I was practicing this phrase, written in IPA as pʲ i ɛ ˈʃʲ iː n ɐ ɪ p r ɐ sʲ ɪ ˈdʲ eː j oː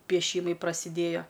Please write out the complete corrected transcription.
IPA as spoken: pʲ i ɛ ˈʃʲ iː m ɐ ɪ p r ɐ sʲ ɪ ˈdʲ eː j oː